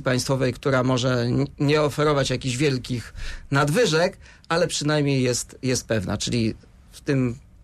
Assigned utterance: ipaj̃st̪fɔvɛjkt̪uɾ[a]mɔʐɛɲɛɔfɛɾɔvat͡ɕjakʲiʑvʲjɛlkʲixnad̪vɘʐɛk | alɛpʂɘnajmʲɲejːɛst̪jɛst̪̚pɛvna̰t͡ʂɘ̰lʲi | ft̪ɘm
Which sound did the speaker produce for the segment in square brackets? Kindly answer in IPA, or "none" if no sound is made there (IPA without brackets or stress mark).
a